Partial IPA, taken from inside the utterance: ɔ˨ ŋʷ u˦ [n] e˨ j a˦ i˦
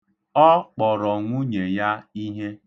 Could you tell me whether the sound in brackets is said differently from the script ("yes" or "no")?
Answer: yes